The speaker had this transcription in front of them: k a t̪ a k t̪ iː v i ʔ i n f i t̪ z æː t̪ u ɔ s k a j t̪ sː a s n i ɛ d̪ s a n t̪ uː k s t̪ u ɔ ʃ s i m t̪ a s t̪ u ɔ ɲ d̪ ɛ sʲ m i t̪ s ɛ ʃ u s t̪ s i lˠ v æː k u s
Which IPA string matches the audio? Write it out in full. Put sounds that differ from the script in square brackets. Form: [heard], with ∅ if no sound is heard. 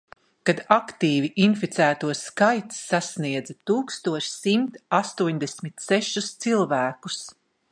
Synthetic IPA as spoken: k a [d̪] a k t̪ iː v i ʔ i n f i t̪ [s] æː t̪ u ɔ s k a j t̪ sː a s n i ɛ d̪ [z] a [∅] t̪ uː k s t̪ u ɔ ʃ s i m t̪ a s t̪ u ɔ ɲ d̪ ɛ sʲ m i t̪ s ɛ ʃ u s t̪ s i lˠ v æː k u s

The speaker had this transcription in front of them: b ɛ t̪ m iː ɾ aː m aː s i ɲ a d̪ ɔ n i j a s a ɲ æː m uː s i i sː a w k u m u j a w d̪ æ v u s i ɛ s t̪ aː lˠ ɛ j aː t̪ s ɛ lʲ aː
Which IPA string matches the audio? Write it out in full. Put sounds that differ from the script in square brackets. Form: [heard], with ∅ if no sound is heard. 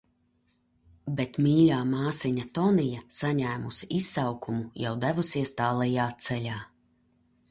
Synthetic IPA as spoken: b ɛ t̪ m iː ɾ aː m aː s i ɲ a [t̪] ɔ n i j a s a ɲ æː m [u] s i i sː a w k u m u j a w d̪ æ v u s i ɛ s t̪ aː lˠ ɛ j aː t̪ s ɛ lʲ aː

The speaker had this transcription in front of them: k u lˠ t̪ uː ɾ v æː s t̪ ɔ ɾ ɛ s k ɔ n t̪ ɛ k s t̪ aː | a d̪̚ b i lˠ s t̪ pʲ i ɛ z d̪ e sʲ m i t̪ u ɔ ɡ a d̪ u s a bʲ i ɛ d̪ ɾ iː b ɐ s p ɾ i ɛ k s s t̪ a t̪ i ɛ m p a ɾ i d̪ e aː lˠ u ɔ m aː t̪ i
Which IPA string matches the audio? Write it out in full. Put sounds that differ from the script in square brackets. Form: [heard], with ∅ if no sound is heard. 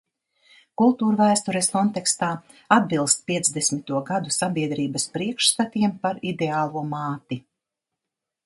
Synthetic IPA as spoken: k u lˠ t̪ uː ɾ v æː s t̪ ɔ ɾ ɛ s k ɔ n t̪ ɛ k s t̪ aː | a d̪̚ b i lˠ s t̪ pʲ i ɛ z d̪ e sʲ m i t̪ u ɔ ɡ a d̪ u s a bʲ i ɛ d̪ ɾ iː b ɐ s p ɾ i ɛ k [ʃ] s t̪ a t̪ i ɛ m p a ɾ i d̪ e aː lˠ u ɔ m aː t̪ i

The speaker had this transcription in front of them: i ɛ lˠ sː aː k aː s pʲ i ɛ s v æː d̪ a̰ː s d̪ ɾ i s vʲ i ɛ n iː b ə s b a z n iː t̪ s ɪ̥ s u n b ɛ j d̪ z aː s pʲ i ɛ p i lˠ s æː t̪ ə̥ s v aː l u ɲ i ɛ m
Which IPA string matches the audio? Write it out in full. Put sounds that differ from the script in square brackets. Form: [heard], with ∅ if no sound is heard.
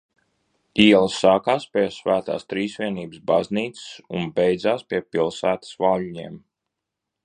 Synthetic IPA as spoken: i ɛ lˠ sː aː k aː s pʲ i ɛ s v æː [t̪] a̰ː s [t̪] ɾ [iː] s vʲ i ɛ n iː b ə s b a z n iː t̪ s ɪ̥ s u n b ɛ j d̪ z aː s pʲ i ɛ p i lˠ s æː t̪ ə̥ s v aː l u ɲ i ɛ m

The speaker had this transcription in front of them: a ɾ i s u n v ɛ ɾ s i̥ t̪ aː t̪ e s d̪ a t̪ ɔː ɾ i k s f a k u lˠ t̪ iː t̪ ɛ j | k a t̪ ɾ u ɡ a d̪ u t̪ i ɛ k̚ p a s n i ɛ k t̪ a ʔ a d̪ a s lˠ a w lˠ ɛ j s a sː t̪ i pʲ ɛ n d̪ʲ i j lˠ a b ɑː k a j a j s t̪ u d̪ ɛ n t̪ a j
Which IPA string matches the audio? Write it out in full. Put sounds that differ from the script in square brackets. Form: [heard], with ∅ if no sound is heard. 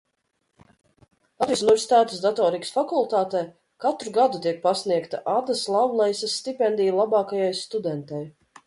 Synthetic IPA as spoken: a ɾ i s u n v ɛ ɾ s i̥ t̪ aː t̪ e s d̪ a t̪ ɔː ɾ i k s f a k u lˠ t̪ [aː] t̪ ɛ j | k a t̪ ɾ u ɡ a d̪ u t̪ i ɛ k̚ p a s n i ɛ k t̪ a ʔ a d̪ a s lˠ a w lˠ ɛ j s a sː t̪ i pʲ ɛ n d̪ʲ i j lˠ a b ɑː k a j a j s t̪ u d̪ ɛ n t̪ a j

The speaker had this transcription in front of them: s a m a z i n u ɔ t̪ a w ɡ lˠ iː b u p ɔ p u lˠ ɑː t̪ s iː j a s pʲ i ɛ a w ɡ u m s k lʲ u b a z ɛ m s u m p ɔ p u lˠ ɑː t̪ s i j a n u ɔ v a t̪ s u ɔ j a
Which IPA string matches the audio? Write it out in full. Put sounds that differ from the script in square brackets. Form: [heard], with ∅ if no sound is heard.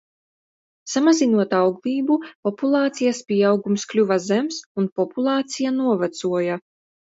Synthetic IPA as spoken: s a m a z i n u ɔ t̪ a w ɡ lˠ iː b u p ɔ p u lˠ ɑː t̪ s [i] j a s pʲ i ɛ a w ɡ u m s k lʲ u [v] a z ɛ m s u [n] p ɔ p u lˠ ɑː t̪ s i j a n u ɔ v a t̪ s u ɔ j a

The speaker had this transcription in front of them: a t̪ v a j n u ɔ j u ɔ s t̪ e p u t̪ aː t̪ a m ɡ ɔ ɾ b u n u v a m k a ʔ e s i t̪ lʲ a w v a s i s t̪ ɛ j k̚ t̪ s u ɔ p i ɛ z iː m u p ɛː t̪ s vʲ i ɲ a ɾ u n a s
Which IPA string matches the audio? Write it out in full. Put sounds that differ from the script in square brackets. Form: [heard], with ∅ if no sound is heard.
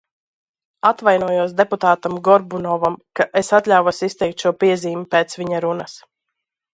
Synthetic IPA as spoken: a t̪ v a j n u ɔ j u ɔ s [d̪] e p u t̪ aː t̪ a m ɡ ɔ ɾ b u n [ɔ] v a m k a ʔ e s [a] t̪ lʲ a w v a s i s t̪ ɛ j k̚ t̪ [ʃ] u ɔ p i ɛ z iː m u p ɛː t̪ s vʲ i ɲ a ɾ u n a s

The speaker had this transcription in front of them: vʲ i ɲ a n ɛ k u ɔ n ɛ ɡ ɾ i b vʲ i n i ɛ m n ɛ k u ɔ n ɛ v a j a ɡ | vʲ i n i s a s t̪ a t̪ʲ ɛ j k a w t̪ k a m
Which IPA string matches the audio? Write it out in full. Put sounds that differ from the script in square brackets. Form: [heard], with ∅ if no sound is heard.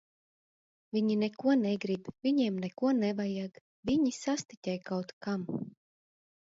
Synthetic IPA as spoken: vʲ i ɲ [i] n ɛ k u ɔ n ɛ ɡ ɾ i b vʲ i [ɲ] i ɛ m n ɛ k u ɔ n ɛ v a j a ɡ | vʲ i [ɲ] i s a s t̪ [i] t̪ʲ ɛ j k a w t̪ k a m

